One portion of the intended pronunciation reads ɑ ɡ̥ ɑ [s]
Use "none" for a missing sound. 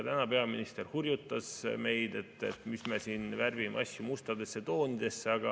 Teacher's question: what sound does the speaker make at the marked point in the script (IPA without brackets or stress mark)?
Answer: none